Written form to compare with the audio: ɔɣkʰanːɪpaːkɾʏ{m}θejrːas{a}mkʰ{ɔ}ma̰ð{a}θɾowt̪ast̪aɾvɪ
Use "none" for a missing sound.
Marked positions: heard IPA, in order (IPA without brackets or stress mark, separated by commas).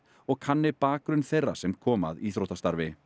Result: n, ɛ, ɔː, i